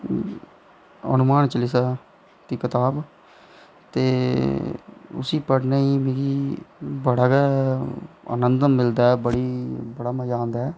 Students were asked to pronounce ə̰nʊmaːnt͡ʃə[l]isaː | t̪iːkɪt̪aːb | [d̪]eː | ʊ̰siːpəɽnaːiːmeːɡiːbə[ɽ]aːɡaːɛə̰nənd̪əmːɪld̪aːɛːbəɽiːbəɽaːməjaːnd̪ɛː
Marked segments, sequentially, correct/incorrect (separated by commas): correct, incorrect, correct